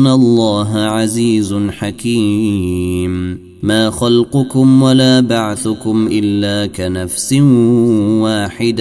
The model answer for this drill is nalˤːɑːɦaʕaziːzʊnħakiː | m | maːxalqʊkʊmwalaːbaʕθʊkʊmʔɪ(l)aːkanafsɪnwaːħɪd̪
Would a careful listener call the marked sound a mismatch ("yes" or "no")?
yes